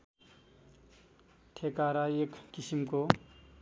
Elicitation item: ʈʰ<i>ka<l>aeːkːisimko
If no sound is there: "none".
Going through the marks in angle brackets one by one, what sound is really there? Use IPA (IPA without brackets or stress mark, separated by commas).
e, ɾ